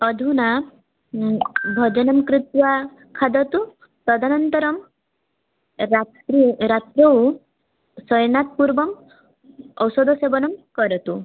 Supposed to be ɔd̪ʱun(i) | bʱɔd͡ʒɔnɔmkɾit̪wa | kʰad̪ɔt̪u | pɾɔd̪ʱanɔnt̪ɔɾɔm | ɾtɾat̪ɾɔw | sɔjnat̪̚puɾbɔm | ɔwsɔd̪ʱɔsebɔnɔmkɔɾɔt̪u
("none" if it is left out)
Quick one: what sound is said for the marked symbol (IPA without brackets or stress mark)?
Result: a